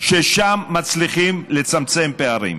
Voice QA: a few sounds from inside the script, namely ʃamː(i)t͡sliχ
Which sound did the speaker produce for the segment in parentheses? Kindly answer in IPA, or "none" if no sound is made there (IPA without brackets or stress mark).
a